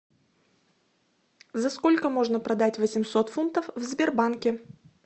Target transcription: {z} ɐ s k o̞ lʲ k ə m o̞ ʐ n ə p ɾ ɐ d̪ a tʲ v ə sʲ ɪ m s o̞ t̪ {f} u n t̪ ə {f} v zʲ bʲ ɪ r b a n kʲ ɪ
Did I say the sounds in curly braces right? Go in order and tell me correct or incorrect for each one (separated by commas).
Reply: correct, correct, correct